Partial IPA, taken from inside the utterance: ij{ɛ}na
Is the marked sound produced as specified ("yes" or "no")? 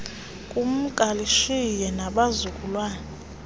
yes